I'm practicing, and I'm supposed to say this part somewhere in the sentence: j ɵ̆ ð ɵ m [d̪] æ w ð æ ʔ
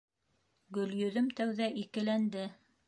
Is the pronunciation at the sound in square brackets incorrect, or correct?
incorrect